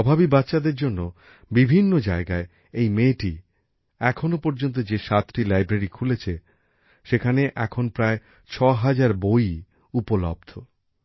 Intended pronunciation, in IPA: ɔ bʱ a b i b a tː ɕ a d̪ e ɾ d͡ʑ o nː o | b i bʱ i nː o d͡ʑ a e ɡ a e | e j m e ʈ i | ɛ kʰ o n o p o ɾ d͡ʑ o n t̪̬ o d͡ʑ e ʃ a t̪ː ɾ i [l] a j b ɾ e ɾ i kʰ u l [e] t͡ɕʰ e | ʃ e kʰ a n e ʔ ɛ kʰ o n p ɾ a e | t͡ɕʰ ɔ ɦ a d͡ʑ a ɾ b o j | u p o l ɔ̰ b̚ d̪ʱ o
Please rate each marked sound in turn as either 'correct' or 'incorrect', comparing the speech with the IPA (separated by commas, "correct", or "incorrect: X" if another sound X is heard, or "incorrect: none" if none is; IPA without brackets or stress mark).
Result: correct, correct